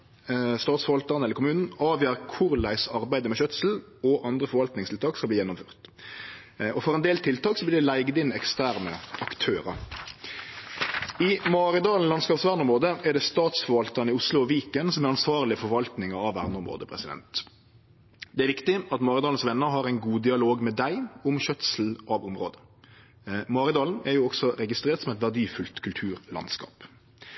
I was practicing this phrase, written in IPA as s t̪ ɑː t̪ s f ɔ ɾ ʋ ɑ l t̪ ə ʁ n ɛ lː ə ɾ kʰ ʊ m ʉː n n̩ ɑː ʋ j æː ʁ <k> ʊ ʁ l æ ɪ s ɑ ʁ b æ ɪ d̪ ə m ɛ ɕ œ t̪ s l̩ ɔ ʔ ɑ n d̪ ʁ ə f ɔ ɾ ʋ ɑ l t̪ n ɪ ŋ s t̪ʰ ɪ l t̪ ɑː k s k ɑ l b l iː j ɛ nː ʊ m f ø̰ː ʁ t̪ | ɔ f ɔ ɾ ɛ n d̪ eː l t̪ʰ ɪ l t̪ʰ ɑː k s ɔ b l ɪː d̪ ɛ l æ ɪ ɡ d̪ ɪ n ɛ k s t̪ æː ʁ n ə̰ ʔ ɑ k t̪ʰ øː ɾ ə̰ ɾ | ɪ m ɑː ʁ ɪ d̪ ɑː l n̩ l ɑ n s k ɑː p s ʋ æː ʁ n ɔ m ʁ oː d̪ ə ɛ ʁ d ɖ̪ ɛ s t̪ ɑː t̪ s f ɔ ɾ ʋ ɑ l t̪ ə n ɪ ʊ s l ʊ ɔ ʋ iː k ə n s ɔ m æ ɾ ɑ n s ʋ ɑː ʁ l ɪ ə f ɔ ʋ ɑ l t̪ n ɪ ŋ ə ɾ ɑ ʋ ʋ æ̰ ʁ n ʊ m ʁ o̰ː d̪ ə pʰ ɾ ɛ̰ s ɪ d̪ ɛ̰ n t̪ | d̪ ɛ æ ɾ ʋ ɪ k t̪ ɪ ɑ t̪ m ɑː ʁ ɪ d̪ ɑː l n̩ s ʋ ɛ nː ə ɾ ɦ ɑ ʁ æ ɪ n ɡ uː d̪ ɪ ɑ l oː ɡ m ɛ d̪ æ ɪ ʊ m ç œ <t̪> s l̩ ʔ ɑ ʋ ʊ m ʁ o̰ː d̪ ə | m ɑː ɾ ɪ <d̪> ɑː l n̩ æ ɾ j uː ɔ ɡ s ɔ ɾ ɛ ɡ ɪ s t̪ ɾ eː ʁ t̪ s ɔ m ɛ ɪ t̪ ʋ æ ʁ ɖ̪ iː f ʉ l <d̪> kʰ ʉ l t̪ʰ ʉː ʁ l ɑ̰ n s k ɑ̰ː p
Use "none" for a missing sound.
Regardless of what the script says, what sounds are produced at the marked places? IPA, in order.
kʰ, t̪, d̪, t̪

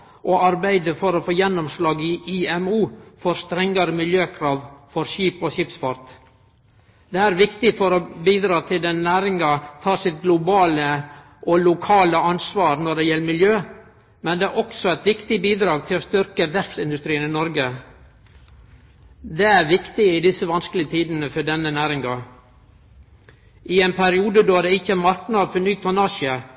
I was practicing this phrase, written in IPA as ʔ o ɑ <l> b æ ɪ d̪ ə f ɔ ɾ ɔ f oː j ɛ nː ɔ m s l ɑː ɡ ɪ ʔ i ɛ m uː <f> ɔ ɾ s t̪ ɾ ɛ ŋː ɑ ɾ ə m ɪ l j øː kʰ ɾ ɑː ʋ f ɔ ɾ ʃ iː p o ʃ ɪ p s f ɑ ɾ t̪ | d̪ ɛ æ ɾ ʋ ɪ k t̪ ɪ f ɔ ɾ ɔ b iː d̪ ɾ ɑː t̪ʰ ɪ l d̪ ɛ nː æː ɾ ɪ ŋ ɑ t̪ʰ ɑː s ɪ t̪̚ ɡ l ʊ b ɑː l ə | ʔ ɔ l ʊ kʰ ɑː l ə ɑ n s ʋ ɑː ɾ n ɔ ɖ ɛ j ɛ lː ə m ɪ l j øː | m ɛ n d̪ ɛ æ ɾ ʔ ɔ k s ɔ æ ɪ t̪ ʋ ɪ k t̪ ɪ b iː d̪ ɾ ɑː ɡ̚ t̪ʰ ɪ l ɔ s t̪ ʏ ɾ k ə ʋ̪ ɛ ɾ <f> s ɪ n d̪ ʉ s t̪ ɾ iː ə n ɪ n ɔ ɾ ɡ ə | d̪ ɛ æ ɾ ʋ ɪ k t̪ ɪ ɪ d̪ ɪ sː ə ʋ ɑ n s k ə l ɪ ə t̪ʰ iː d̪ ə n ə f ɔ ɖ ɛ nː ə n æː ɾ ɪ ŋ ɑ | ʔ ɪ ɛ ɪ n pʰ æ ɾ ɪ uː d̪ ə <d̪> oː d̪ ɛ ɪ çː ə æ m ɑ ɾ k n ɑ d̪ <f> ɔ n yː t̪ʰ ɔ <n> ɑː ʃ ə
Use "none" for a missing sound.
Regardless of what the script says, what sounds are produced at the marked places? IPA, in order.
ɾ, f, f, d̪, f, n

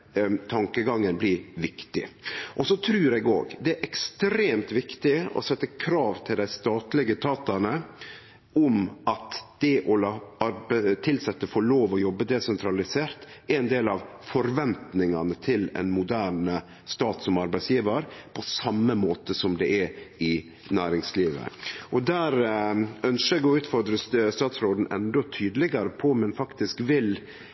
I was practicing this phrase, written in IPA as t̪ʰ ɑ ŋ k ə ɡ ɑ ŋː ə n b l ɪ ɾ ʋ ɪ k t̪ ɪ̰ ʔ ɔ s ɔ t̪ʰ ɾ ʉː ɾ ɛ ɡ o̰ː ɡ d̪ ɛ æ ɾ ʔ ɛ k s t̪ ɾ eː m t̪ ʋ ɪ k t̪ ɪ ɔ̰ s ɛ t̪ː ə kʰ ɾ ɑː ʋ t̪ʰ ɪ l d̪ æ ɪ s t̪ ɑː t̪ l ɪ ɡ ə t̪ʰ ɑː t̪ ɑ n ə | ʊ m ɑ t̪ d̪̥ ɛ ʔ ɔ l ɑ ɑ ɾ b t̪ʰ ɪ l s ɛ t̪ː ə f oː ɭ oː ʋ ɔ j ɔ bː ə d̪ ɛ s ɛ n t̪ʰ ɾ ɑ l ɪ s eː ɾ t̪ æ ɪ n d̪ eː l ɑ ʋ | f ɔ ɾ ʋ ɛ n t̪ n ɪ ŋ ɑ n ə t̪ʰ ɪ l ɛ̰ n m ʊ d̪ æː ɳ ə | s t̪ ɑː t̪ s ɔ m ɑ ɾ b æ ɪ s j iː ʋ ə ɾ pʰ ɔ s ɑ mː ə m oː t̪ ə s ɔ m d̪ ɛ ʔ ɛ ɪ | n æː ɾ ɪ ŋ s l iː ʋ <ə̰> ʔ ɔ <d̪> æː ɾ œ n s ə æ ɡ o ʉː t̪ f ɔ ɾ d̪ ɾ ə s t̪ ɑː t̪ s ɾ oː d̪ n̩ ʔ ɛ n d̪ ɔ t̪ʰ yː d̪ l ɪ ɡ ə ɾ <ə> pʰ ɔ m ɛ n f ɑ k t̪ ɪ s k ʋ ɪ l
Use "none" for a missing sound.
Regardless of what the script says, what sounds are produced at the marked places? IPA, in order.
ə̰, d̪, ə

